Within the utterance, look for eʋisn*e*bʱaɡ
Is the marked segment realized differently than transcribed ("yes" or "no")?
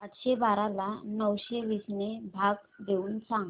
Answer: no